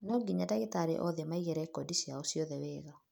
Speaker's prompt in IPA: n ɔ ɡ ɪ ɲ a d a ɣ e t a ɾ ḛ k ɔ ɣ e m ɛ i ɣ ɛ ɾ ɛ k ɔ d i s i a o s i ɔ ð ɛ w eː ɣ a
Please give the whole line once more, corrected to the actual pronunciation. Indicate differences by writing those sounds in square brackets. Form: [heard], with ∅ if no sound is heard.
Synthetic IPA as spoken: n ɔ ɡ [i] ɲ a d a ɣ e t a ɾ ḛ [ʔ] ɔ [ð] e m [a] i ɣ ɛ ɾ ɛ k ɔ d i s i a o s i ɔ ð ɛ w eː ɣ a